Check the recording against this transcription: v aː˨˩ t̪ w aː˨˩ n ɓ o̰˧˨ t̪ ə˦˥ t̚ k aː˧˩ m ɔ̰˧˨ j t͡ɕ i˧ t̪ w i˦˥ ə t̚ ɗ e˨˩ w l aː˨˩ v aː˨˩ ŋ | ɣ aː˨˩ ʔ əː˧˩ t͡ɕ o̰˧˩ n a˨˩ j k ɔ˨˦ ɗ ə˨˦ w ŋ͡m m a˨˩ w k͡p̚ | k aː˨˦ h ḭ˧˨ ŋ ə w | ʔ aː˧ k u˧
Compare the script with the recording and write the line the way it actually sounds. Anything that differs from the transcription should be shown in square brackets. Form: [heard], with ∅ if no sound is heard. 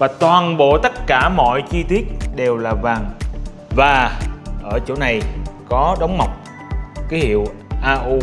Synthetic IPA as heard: v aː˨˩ t̪ w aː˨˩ n ɓ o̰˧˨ t̪ ə˦˥ t̚ k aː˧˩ m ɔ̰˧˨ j t͡ɕ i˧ t̪ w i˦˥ ə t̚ ɗ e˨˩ w l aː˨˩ v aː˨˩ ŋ | [v] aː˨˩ ʔ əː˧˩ t͡ɕ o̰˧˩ n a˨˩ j k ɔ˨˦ ɗ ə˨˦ w ŋ͡m m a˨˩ w k͡p̚ | k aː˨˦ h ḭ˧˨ [∅] ə w | ʔ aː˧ [ʔ] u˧